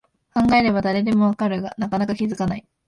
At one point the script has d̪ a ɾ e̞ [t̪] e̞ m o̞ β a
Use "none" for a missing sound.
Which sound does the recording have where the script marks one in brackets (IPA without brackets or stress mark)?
d̪